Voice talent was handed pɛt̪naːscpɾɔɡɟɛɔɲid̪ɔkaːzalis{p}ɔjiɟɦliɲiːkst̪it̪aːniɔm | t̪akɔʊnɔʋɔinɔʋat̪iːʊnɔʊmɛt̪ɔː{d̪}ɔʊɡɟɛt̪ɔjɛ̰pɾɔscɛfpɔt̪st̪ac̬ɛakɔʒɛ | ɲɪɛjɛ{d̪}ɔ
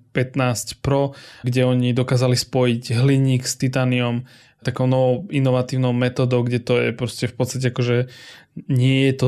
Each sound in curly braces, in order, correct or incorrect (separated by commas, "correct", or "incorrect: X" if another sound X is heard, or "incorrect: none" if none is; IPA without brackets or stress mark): correct, correct, incorrect: t̪